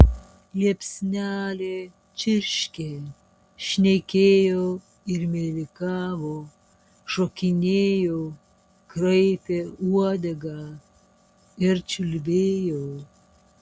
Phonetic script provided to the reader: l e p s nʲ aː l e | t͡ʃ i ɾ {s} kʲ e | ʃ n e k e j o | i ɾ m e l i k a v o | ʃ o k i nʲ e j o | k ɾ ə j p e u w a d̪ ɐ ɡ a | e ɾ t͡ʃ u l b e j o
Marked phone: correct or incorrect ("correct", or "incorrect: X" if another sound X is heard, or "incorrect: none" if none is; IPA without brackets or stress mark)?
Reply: incorrect: ʃ